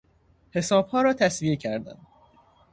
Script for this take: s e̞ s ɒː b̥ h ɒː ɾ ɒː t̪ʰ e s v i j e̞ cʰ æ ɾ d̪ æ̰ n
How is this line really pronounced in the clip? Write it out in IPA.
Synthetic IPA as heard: h e̞ s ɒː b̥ h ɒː ɾ ɒː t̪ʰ æ s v i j e̞ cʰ æ ɾ d̪ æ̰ n